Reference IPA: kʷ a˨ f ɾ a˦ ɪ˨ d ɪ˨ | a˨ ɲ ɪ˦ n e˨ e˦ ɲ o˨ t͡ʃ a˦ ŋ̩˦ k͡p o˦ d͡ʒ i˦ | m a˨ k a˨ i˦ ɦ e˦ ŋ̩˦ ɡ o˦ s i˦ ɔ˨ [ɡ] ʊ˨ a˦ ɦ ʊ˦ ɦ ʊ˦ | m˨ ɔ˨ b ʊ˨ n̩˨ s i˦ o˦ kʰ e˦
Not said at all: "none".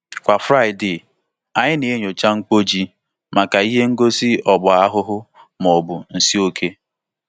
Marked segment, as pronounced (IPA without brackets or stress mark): ɡ͡b